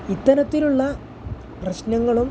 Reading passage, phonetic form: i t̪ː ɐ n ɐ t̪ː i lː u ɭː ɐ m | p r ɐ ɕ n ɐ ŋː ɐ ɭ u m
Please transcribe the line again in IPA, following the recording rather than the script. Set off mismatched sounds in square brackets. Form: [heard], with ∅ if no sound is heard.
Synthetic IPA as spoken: i t̪ː ɐ n ɐ t̪ː i [l] u ɭː ɐ [∅] | p r ɐ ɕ n ɐ ŋː ɐ ɭ u m